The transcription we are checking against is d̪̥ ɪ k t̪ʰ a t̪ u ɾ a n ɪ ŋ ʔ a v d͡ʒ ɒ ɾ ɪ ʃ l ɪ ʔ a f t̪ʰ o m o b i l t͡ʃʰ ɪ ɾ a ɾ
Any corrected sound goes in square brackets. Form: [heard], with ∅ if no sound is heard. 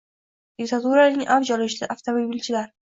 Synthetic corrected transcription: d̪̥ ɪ k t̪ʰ a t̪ u ɾ a n ɪ ŋ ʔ a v d͡ʒ ɒ [l] ɪ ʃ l ɪ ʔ a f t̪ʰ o m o b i l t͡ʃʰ ɪ [l] a ɾ